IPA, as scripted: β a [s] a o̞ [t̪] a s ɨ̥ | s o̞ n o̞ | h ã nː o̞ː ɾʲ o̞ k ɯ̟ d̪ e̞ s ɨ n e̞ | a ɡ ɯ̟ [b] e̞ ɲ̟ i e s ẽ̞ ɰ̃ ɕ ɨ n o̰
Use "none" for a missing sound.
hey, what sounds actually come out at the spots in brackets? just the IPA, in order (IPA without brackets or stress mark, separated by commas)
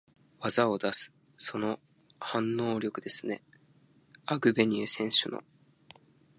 z, d̪, b